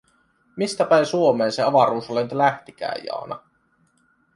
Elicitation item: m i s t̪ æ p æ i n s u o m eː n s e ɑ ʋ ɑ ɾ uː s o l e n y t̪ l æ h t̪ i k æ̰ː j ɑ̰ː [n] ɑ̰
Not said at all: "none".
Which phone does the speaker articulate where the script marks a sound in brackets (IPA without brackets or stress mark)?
n